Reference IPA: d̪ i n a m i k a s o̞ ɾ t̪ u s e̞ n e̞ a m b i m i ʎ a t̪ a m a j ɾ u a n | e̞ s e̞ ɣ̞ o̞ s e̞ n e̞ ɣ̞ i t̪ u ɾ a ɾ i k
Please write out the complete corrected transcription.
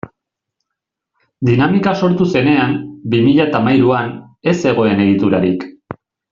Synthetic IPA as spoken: d̪ i n a m i k a s o̞ ɾ t̪ u s e̞ n e̞ a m b i m i ʎ a t̪ a m a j ɾ u a n | e̞ s e̞ ɣ̞ o̞ e̞ n e̞ ɣ̞ i t̪ u ɾ a ɾ i k

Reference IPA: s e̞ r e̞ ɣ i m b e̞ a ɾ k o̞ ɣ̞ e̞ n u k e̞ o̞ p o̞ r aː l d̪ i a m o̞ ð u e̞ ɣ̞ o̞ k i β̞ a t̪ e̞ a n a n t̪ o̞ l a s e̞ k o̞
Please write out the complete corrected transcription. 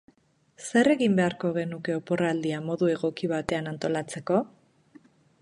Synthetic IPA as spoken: s e̞ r e̞ ɣ i m b e̞ a ɾ k o̞ ɣ̞ e̞ n u k e̞ o̞ p o̞ r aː l d̪ i a m o̞ ð u e̞ ɣ̞ o̞ k i β̞ a t̪ e̞ a n a n t̪ o̞ l a t͡s e̞ k o̞

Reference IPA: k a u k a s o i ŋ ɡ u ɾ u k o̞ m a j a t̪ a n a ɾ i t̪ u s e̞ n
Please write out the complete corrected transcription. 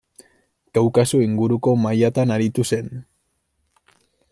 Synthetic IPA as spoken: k a w k a s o i ŋ ɡ u ɾ u k o̞ m a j a t̪ a n a ɾ i t̪ u s e̞ n

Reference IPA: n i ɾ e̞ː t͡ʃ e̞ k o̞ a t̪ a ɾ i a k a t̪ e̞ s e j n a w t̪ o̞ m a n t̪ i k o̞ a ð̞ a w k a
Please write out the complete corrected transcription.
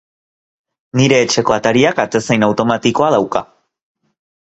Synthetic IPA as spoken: n i ɾ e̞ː t͡ʃ e̞ k o̞ a t̪ a ɾ i a k a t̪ e̞ s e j n a w t̪ o̞ m a t̪ i k o̞ a ð̞ a w k a

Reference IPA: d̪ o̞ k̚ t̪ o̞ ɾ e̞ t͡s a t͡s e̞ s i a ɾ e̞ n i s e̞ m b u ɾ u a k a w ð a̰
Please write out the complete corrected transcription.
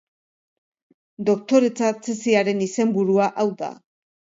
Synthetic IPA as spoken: d̪ o̞ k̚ t̪ o̞ ɾ e̞ t͡s a t͡s e̞ s i a ɾ e̞ n i s e̞ m b u ɾ u a ʔ a w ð a̰

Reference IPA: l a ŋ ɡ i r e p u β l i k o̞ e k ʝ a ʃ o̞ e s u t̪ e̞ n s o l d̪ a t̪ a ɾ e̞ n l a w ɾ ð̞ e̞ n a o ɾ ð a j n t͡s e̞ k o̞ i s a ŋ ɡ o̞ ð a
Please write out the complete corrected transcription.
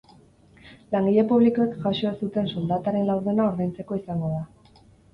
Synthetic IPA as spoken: l a ŋ ɡ i ʎ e p u β l i k o̞ e k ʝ a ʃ o̞ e s u t̪ e̞ n s o l d̪ a t̪ a ɾ e̞ n l a w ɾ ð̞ e̞ n a o ɾ ð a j n t͡s e̞ k o̞ i s a ŋ ɡ o̞ ð a

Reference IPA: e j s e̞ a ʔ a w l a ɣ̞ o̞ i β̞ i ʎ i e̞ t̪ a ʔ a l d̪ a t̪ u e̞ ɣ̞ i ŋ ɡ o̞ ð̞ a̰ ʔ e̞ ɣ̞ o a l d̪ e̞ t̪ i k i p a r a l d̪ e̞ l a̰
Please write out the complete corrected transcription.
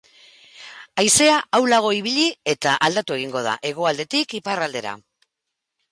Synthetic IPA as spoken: a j s e̞ a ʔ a w l a ɣ̞ o̞ i β̞ i ʎ i e̞ t̪ a ʔ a l d̪ a t̪ u e̞ ɣ̞ i ŋ ɡ o̞ ð̞ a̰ ʔ e̞ ɣ̞ o a l d̪ e̞ t̪ i k i p a r a l d̪ e̞ ɾ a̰

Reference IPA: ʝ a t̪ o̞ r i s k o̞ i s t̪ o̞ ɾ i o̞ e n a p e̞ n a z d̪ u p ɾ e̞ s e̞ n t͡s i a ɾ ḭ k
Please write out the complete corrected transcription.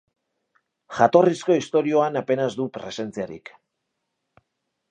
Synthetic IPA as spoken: ʝ a t̪ o̞ r i s k o̞ i s t̪ o̞ ɾ i o̞ a n a p e̞ n a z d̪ u p ɾ e̞ s e̞ n t͡s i a ɾ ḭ k

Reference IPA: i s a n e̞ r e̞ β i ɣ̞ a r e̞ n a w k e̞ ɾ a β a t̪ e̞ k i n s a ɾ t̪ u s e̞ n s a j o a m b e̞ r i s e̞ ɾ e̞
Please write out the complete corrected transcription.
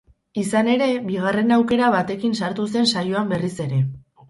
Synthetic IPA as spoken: i s a n e̞ ɾ e̞ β i ɣ̞ a r e̞ n a w k e̞ ɾ a β a t̪ e̞ k i n s a ɾ t̪ u s e̞ n s a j o a m b e̞ r i s e̞ ɾ e̞

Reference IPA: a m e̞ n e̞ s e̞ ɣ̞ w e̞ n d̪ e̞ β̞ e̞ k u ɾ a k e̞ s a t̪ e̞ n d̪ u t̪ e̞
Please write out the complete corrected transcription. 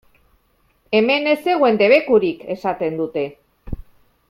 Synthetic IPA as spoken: e m e̞ n e̞ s e̞ ɣ̞ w e̞ n d̪ e̞ β̞ e̞ k u ɾ i k e̞ s a t̪ e̞ n d̪ u t̪ e̞

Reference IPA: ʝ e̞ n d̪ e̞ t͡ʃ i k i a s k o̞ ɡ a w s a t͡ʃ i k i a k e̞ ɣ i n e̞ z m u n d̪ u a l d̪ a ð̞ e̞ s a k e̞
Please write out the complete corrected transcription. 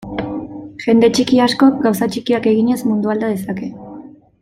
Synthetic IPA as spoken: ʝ e̞ n d̪ e̞ t͡ʃ i k i a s k o̞ ɡ a w s a t͡ʃ i k i a k e̞ ɣ i ɲ e̞ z m u n d̪ u a l d̪ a ð̞ e̞ s a k e̞

